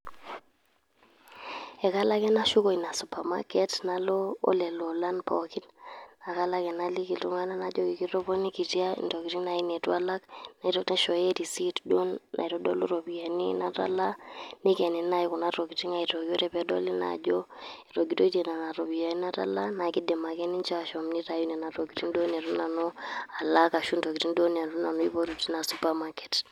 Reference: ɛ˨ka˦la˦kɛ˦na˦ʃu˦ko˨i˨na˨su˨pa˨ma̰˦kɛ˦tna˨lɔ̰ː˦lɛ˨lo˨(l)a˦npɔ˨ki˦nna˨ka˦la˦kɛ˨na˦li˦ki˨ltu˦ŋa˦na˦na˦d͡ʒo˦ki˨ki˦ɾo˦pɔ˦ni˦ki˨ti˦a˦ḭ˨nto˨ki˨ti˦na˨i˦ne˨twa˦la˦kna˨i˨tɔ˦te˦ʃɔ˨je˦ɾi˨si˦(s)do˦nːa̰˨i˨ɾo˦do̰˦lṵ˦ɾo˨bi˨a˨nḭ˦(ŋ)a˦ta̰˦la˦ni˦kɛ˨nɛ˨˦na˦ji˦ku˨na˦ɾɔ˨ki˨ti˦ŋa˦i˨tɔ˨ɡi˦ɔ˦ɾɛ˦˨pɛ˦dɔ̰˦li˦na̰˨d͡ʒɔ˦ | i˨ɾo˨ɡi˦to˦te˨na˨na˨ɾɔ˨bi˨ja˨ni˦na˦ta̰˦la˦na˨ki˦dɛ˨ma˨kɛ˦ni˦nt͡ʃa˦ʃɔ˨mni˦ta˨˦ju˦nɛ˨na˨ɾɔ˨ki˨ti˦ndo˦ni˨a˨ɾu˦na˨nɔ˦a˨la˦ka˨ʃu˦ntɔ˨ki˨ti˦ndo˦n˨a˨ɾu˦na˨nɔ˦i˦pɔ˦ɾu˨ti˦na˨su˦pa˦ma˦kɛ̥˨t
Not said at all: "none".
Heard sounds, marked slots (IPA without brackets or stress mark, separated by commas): l, t, n